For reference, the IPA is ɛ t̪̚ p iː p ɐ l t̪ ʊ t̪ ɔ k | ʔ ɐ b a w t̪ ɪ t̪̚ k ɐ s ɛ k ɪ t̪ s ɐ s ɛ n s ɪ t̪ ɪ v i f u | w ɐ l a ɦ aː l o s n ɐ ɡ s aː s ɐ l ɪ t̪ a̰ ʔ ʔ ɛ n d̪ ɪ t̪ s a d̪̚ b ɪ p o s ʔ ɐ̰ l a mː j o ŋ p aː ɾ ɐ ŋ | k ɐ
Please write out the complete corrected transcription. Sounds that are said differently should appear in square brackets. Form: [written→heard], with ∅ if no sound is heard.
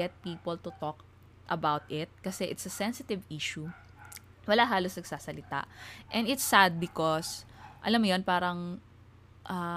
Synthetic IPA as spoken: ɛ t̪̚ p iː p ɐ l t̪ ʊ t̪ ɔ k | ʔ ɐ b a w t̪ ɪ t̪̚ k ɐ s ɛ [k→ʔ] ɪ t̪ s ɐ s ɛ n s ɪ t̪ ɪ v i [f→ʃ] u | w ɐ l a ɦ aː l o s n ɐ ɡ s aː s ɐ l ɪ t̪ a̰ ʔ ʔ ɛ n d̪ ɪ t̪ s a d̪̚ b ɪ [p→k] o s ʔ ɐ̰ l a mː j o [ŋ→n] p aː ɾ ɐ ŋ | [k→ʔ] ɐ